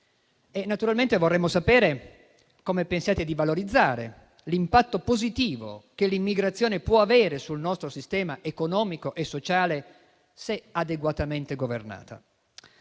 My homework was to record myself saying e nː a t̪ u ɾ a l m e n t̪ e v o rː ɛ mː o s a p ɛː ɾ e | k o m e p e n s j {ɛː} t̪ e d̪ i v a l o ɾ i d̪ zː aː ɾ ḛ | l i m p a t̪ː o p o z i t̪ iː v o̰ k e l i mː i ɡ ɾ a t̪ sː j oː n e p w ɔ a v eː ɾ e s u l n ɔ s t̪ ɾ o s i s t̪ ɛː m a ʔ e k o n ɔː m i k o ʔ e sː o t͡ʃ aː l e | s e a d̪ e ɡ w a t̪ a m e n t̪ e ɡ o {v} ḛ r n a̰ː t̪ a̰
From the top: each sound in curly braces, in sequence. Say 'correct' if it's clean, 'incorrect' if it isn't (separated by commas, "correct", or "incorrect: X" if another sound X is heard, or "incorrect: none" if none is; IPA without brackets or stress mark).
incorrect: aː, correct